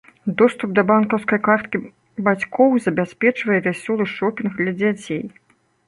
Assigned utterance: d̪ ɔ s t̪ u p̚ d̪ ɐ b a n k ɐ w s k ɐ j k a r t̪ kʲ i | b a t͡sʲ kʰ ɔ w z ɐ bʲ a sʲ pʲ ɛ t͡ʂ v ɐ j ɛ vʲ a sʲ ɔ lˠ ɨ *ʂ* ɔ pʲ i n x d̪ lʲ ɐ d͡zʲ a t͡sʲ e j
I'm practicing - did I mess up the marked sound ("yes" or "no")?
no